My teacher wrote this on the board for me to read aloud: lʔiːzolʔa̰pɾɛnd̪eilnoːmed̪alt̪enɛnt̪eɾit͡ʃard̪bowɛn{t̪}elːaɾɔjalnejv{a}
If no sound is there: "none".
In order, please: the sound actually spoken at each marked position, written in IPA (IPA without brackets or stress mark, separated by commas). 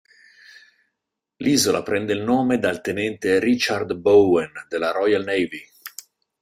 d̪, i